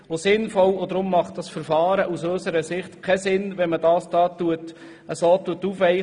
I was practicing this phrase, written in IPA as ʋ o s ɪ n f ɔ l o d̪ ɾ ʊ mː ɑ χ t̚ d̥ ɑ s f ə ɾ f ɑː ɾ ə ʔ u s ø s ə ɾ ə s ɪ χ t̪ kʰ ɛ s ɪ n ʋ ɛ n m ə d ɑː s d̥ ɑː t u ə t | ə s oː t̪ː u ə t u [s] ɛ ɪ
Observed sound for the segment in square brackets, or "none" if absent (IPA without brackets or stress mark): f